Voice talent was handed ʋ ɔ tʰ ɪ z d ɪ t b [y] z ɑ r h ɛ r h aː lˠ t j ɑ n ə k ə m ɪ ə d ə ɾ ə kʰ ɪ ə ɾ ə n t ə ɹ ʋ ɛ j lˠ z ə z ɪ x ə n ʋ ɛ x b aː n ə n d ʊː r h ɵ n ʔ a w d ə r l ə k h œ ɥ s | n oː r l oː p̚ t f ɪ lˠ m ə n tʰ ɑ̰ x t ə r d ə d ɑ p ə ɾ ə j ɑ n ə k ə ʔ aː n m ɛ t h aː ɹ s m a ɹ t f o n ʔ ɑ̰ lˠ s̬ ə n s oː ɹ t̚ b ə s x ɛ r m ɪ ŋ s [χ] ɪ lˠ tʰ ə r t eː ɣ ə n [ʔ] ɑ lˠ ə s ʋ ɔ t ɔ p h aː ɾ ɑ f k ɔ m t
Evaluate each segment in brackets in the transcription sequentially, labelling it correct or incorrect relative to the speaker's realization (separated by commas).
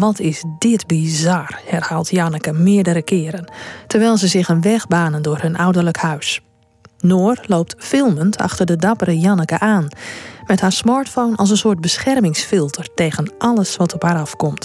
incorrect, incorrect, correct